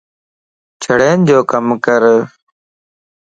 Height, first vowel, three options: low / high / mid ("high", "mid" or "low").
mid